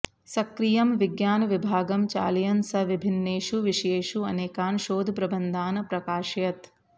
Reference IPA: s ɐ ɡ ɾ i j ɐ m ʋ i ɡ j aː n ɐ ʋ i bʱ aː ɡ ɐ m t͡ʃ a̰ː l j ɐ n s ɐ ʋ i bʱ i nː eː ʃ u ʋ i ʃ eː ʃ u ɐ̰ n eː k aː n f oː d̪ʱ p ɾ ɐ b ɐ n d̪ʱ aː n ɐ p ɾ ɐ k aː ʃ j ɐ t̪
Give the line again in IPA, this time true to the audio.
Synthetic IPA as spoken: s ɐ k ɾ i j ɐ m ʋ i ɡ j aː n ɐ ʋ i bʱ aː ɡ ɐ m t͡ʃ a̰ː l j ɐ n s ɐ ʋ i bʱ i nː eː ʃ u ʋ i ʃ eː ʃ u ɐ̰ n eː k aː n ʃ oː d̪ʱ p ɾ ɐ b ɐ n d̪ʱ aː n ɐ p ɾ ɐ k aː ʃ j ɐ t̪